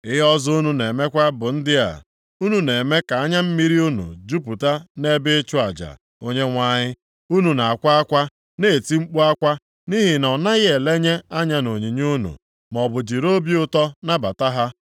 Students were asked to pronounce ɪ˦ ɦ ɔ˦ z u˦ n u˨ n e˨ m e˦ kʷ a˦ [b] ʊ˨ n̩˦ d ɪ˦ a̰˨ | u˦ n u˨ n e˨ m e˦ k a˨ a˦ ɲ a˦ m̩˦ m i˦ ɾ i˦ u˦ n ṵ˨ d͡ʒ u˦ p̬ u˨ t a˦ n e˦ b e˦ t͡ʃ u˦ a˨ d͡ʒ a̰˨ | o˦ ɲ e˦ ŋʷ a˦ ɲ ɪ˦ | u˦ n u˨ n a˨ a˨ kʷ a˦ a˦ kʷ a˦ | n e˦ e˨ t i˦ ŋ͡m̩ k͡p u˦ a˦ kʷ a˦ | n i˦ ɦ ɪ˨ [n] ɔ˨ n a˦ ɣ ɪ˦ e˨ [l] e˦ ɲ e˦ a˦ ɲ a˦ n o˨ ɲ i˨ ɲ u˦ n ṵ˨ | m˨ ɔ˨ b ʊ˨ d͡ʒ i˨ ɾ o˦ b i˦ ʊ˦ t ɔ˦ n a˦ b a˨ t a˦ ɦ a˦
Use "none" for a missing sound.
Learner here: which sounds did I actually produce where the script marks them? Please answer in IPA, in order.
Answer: b, n, l

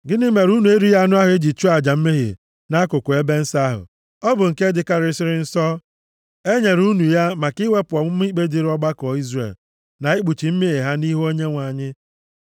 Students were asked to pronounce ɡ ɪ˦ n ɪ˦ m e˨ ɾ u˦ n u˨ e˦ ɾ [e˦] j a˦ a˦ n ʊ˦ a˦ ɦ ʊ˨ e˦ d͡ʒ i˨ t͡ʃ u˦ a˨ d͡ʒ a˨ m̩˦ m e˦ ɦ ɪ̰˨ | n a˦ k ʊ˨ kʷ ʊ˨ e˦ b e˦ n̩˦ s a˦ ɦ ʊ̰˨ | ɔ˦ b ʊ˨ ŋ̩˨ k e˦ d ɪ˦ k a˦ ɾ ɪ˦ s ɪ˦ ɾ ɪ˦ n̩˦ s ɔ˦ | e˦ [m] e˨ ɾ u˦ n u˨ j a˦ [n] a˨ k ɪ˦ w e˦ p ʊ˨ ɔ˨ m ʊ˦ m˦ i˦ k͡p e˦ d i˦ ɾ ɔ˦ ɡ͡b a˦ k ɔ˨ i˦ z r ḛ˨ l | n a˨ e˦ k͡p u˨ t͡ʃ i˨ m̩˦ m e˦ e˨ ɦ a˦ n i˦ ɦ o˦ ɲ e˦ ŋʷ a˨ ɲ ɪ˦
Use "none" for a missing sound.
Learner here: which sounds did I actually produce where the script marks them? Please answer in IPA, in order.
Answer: i˦, ɲ, m

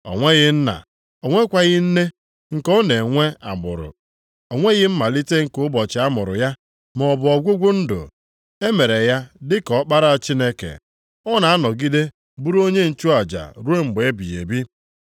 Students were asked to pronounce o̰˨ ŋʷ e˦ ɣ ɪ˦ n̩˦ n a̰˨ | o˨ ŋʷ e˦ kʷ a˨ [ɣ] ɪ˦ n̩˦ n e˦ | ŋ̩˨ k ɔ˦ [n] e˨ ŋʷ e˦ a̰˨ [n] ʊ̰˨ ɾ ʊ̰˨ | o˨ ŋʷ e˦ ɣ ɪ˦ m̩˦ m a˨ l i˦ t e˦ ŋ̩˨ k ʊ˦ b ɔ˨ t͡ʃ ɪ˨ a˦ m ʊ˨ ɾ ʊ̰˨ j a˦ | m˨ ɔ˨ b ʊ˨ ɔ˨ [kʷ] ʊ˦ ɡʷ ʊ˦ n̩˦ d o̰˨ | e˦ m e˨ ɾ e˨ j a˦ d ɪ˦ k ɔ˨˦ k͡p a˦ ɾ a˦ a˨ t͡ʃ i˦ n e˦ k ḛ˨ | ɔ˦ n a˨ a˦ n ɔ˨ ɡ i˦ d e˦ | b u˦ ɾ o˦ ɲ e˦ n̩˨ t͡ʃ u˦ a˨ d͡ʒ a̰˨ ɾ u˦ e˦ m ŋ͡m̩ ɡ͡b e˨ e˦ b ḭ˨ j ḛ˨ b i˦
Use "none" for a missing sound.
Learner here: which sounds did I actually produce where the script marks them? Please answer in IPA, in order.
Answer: ɣ, n, m, ɡʷ

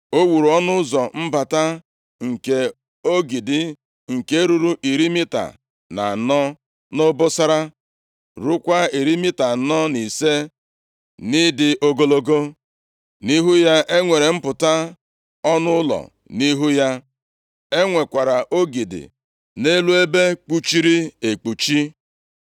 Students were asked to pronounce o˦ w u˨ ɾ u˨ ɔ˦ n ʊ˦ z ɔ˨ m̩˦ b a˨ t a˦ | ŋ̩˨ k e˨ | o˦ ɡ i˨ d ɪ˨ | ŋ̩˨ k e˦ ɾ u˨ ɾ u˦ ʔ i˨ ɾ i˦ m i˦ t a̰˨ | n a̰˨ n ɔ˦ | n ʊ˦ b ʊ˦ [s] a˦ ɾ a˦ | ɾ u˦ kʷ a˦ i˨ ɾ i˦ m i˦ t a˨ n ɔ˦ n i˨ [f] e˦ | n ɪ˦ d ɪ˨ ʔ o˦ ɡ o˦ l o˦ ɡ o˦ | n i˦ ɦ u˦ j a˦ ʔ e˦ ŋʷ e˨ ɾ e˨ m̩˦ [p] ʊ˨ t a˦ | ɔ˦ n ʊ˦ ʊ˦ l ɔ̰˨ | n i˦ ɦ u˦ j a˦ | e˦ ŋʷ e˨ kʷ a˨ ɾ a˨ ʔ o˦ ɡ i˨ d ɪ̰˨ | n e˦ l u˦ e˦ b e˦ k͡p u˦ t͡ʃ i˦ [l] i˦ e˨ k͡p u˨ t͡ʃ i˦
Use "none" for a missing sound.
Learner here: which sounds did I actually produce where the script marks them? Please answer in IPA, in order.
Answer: s, s, p, ɾ

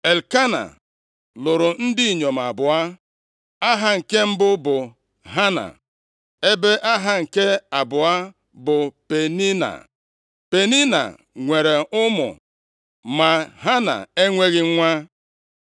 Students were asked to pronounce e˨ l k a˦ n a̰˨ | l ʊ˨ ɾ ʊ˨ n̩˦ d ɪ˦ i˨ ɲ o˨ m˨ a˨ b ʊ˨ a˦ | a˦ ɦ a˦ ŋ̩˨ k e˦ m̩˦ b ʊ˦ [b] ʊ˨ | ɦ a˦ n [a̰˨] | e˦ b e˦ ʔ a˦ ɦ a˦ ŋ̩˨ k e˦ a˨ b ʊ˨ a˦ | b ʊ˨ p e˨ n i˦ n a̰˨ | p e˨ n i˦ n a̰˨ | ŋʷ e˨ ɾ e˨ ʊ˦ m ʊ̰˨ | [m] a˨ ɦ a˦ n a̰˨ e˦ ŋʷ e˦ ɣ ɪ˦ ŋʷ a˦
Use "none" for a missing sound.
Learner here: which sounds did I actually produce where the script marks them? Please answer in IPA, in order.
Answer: b, a̰˨, m

